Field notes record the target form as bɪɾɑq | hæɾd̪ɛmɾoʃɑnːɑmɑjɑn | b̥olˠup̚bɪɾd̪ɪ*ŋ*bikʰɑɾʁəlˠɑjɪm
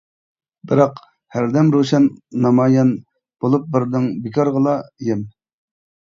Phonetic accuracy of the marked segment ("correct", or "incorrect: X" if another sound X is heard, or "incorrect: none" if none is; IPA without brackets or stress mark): correct